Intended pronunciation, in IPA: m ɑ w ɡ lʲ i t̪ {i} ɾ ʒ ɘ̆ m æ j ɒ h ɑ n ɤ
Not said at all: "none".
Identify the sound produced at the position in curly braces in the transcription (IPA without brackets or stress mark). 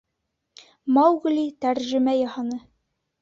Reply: æ